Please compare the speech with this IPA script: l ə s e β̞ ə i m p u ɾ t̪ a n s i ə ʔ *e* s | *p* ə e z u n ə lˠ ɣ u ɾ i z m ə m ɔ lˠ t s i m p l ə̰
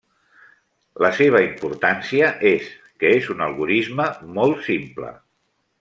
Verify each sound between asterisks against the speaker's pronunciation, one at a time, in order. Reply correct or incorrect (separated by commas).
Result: correct, incorrect